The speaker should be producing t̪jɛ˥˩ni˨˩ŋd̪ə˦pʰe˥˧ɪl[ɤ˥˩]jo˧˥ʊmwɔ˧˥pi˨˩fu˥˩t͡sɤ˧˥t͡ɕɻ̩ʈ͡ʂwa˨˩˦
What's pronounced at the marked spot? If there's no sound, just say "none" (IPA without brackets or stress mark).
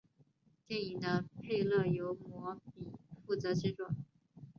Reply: ɤ˥˩